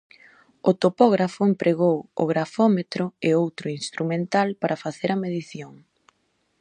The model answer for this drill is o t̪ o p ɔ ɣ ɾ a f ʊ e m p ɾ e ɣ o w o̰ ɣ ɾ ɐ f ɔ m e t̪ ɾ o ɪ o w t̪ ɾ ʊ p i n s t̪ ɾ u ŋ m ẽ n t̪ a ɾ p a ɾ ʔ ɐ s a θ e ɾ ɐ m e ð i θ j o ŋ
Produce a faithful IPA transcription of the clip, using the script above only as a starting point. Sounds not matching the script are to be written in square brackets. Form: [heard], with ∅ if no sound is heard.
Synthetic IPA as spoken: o t̪ o p ɔ ɣ ɾ a f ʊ e m p ɾ e ɣ o w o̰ ɣ ɾ [a] f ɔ m e t̪ ɾ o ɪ o w t̪ ɾ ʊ [∅] i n s t̪ ɾ u [∅] m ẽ n t̪ a [l] p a ɾ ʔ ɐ [f] a θ e ɾ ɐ m e ð i θ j o ŋ